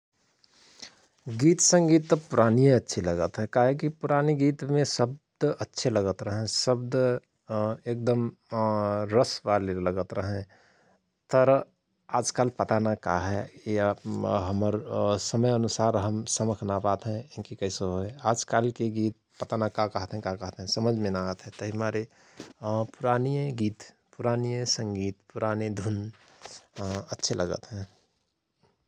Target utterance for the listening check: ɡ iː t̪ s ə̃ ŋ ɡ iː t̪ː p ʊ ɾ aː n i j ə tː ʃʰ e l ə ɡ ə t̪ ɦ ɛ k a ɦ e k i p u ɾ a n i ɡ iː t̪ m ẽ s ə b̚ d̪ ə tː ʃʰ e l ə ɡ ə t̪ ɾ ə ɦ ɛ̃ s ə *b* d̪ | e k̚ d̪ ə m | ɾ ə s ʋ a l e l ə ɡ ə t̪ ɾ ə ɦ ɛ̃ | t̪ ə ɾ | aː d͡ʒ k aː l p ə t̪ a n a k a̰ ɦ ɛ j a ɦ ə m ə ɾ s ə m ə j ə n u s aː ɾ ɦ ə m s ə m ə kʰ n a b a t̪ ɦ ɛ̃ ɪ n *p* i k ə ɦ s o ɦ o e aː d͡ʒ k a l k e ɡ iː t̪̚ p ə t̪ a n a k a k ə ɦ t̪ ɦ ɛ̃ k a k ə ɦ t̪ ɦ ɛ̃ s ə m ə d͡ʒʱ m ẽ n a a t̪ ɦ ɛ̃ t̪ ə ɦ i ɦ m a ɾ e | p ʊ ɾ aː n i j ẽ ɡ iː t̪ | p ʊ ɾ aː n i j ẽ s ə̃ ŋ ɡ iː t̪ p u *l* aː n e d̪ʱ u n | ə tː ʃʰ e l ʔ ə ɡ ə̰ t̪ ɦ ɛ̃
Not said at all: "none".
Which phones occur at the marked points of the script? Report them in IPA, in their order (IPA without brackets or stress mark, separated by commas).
b, k, ɾ